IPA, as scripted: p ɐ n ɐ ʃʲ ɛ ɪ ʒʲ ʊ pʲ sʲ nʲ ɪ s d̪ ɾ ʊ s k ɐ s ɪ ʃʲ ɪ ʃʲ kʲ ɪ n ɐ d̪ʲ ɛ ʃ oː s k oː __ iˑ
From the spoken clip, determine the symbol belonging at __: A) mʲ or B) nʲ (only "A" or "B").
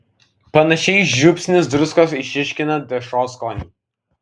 B